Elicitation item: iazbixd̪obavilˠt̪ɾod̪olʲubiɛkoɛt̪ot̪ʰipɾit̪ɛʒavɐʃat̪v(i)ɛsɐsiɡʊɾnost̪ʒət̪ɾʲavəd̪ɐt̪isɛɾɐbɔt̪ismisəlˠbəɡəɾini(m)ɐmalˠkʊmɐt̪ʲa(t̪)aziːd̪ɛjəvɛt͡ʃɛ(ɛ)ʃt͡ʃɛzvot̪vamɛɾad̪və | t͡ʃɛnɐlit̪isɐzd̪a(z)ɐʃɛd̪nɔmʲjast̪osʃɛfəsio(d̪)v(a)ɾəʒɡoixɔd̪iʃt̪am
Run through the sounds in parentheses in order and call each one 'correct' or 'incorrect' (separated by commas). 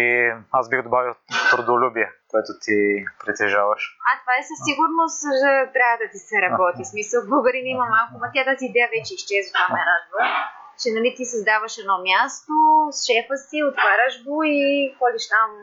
incorrect, correct, correct, incorrect, incorrect, incorrect, correct